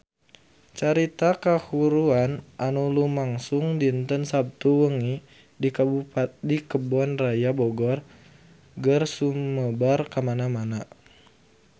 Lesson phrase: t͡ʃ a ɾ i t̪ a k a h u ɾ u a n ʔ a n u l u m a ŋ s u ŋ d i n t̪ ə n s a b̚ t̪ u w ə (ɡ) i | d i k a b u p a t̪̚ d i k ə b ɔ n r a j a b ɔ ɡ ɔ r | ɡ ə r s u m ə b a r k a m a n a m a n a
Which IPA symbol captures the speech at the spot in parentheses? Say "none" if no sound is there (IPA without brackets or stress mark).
ŋ